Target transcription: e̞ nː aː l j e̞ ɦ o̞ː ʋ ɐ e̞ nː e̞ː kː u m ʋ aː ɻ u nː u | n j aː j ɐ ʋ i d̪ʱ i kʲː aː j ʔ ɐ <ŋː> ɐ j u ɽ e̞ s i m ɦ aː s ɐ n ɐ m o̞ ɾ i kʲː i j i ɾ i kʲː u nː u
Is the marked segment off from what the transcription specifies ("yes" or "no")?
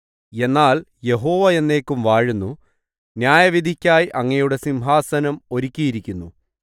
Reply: no